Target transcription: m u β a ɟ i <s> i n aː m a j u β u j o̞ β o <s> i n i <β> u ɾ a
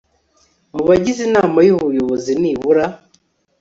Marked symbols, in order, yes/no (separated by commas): no, no, yes